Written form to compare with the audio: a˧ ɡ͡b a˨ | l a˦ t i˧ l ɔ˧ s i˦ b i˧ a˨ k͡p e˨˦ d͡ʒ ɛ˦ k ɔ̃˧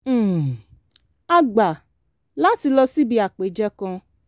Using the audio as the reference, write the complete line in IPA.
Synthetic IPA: a˧ ɡ͡b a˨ | l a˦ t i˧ l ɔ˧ s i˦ b i˧ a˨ k͡p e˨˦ d͡ʒ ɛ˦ k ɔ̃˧